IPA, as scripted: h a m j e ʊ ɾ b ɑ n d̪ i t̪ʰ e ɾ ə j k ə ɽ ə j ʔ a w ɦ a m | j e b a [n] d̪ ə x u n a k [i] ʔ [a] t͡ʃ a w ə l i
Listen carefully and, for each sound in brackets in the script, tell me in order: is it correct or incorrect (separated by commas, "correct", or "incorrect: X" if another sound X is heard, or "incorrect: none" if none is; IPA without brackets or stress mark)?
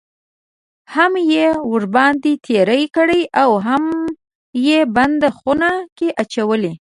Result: correct, incorrect: e, correct